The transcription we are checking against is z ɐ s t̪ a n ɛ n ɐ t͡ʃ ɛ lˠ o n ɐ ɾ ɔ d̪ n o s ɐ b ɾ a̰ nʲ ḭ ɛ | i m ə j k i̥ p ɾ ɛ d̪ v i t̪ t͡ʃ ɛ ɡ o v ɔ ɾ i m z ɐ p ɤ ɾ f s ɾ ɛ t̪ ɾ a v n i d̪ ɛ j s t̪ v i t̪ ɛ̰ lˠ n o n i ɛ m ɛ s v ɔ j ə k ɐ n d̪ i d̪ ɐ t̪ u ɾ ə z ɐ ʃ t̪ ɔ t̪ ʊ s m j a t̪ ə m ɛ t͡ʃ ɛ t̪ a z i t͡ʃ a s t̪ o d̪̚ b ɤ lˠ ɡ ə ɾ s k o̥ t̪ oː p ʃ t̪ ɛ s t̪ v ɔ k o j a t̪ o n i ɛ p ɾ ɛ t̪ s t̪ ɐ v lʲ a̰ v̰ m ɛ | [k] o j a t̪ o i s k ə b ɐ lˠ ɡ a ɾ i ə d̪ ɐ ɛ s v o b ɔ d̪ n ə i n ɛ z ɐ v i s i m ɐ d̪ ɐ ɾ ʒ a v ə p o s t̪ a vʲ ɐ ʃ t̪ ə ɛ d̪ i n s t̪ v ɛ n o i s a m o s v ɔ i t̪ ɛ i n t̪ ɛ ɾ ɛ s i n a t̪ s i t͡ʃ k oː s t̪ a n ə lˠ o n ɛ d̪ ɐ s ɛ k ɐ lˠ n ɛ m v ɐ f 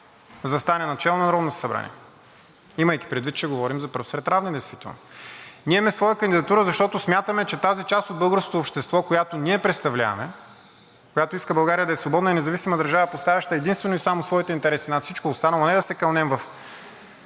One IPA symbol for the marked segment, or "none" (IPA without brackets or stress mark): k